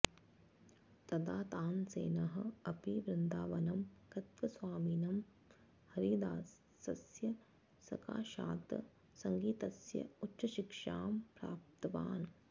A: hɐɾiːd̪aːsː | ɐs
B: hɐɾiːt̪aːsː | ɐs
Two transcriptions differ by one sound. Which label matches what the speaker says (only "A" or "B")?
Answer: A